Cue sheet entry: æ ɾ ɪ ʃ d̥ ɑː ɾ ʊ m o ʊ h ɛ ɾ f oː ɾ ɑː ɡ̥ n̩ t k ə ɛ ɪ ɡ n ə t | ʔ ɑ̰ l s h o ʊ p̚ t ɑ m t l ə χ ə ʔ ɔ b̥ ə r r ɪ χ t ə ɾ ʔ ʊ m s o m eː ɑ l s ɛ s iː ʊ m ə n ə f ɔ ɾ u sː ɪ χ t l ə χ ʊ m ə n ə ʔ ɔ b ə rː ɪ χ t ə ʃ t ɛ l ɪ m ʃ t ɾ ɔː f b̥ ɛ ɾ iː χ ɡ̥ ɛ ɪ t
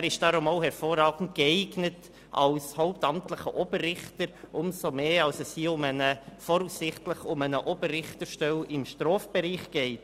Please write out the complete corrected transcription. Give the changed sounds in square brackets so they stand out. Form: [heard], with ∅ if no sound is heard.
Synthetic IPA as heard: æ ɾ ɪ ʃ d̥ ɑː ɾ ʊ m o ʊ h ɛ ɾ f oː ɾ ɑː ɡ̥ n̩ t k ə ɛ ɪ ɡ n ə t | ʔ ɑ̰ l s h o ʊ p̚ t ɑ m t l ə χ ə ʔ ɔ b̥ ə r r ɪ χ t ə ɾ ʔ ʊ m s o m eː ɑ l s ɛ s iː ʊ m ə n ə f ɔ ɾ u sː ɪ χ t l ə χ ʊ m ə n ə ʔ ɔ b ə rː ɪ χ t ə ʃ t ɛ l ɪ m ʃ t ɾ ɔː f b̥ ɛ ɾ iː χ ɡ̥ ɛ ɪ t

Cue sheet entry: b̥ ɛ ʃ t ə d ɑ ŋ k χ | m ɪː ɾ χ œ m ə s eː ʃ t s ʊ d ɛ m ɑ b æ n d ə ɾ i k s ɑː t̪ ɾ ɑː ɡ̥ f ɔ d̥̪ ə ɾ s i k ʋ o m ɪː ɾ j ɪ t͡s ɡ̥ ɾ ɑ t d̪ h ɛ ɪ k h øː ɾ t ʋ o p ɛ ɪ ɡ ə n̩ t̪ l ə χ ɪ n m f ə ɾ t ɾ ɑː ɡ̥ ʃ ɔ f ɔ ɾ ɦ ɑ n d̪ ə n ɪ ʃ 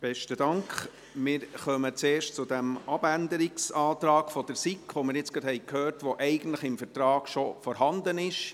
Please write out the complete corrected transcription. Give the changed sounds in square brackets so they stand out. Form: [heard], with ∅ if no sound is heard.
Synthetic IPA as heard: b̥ ɛ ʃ t ə d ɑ ŋ k χ | m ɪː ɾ χ œ m ə [t͡s] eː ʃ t [t͡s] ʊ d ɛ m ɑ b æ n d ə ɾ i k s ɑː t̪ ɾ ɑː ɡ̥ f ɔ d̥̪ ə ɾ s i k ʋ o m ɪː ɾ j ɪ t͡s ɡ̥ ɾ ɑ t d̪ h ɛ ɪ k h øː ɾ t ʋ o [ʔ] ɛ ɪ ɡ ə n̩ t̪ l ə χ ɪ [∅] m f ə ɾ t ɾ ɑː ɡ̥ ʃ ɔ f ɔ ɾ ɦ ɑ n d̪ ə n ɪ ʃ

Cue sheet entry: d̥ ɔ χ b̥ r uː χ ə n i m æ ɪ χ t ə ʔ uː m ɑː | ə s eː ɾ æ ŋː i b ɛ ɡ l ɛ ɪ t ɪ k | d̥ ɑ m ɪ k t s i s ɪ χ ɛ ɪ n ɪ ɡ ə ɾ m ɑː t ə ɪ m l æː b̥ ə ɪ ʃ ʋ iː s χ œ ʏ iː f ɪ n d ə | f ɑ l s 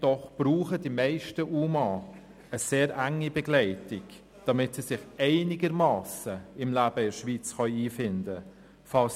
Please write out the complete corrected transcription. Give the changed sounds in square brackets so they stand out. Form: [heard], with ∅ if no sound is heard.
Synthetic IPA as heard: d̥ ɔ χ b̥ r uː χ ə [d] i m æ ɪ [ʃ] t ə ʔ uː m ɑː | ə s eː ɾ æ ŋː i b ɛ ɡ l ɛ ɪ t ɪ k | d̥ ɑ m ɪ [∅] t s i s ɪ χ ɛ ɪ n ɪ ɡ ə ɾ m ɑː [s] ə ɪ m l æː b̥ ə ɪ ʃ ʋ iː [t͡s] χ œ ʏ iː f ɪ n d ə | f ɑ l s

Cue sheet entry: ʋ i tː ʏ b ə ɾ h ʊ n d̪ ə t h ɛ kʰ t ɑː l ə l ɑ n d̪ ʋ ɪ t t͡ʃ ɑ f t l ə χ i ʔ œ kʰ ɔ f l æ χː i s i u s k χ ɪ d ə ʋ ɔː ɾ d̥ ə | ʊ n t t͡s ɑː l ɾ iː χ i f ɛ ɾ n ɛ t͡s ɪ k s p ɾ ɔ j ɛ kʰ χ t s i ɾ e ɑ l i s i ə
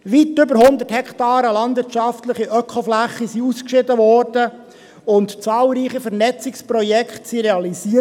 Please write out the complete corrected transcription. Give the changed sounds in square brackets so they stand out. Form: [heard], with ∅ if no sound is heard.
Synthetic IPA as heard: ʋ i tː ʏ b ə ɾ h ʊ n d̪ ə t h ɛ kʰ t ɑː [ɾ] ə l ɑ n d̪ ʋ ɪ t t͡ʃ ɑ f t l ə χ i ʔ œ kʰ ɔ f l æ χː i s i u s k [ʃ] ɪ d ə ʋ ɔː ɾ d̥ ə | ʊ n t t͡s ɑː l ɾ iː χ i f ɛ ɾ n ɛ t͡s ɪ k s p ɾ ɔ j ɛ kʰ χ t s i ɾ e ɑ l i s i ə

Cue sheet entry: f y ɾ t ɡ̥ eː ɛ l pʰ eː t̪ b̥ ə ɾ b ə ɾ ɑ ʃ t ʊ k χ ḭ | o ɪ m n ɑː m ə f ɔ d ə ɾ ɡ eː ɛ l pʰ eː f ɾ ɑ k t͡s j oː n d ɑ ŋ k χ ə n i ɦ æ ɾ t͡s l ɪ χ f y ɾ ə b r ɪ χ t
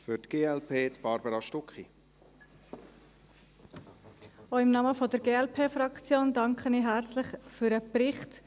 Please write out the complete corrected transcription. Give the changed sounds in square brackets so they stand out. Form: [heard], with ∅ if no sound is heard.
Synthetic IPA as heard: f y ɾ t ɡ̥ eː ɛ l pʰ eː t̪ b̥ [ɑ] ɾ b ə ɾ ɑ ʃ t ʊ k χ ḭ | o ɪ m n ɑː m ə f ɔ d ə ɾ ɡ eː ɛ l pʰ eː f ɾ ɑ k t͡s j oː n d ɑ ŋ k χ ə n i ɦ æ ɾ t͡s l ɪ χ f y ɾ ə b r ɪ χ t

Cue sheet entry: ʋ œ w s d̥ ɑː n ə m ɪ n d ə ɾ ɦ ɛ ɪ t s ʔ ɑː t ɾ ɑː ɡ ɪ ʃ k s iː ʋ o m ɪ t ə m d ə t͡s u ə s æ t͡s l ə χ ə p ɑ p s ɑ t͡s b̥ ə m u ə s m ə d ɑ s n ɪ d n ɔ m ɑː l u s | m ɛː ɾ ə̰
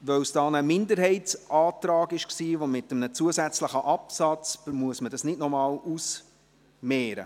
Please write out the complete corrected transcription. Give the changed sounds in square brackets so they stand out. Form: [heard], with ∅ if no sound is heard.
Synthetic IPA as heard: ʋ œ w s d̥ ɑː n ə m ɪ n d ə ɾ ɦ ɛ ɪ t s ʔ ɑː t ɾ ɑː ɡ ɪ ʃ k s iː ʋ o m ɪ t ə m [n] ə t͡s u ə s æ t͡s l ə χ ə [ʔ] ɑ p s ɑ t͡s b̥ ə m u ə s m ə d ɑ s n ɪ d n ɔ m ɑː l u s | m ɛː ɾ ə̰

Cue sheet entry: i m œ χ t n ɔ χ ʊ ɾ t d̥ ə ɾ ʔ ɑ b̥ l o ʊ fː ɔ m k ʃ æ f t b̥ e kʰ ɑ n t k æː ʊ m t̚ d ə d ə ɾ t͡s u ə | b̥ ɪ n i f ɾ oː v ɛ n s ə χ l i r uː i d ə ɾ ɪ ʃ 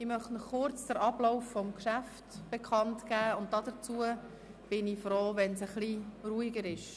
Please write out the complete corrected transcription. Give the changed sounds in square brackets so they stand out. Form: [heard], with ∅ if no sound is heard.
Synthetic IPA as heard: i m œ χ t n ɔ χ ʊ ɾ [t͡s] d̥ ə ɾ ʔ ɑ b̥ l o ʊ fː ɔ m k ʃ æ f t b̥ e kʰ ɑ n t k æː ʊ [n] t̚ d [ɑ] d ə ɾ t͡s u ə | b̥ ɪ n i f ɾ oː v ɛ n s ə χ l i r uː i [ɡ] ə ɾ ɪ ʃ

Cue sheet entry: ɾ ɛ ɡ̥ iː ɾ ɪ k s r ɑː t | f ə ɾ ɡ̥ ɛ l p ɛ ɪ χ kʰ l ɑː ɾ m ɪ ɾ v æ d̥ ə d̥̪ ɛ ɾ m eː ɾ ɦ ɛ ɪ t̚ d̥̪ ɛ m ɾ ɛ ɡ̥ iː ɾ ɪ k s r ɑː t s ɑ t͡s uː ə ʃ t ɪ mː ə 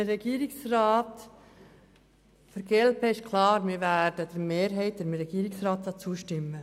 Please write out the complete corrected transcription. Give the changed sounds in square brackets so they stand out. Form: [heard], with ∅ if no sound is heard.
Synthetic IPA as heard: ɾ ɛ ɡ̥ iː ɾ ɪ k s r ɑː t | f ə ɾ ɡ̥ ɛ l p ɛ ɪ [ʃ] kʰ l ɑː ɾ m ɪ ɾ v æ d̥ ə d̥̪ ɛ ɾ m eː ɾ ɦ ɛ ɪ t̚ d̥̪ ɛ m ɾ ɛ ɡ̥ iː ɾ ɪ k s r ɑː t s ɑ t͡s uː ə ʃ t ɪ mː ə

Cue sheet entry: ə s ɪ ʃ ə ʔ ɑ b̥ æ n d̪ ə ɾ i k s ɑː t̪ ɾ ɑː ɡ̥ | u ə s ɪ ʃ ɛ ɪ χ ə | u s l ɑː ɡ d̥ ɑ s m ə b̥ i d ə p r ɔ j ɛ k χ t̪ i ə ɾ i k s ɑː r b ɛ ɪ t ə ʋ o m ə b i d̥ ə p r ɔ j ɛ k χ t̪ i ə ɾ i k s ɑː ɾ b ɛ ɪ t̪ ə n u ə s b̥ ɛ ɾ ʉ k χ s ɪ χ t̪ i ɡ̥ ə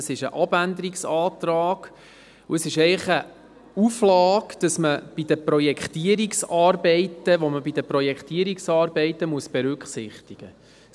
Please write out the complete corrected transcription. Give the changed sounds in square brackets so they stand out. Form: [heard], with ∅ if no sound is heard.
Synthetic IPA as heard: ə s ɪ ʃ ə ʔ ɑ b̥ æ n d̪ ə ɾ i k s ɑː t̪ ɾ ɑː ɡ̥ | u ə s ɪ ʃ ɛ ɪ χ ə | u [f] l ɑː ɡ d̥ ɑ s m ə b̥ i d ə p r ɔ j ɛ k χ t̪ i ə ɾ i k s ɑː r b ɛ ɪ t ə ʋ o m ə b i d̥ ə p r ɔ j ɛ k χ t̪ i ə ɾ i k s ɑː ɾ b ɛ ɪ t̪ ə [m] u ə s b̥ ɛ ɾ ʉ k χ s ɪ χ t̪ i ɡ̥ ə

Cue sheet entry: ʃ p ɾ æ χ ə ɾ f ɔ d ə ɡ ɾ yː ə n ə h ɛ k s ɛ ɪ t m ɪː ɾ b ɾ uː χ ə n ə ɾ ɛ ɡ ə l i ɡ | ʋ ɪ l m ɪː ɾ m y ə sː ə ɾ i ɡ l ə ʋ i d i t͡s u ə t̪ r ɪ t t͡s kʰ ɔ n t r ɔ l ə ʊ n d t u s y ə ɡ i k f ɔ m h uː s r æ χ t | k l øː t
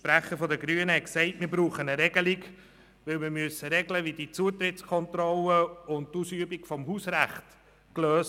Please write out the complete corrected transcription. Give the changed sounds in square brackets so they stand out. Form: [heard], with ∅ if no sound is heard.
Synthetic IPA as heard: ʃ p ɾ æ χ ə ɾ f ɔ d ə ɡ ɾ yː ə n ə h ɛ k s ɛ ɪ t m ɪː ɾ b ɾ uː χ ə n ə ɾ ɛ ɡ ə l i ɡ | ʋ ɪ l m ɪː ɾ m y ə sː ə ɾ [ɛ] ɡ l ə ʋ i d i t͡s u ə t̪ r ɪ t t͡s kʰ ɔ n t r ɔ l ə ʊ n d t u s y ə [b] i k f ɔ m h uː s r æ χ t | k l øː [s]

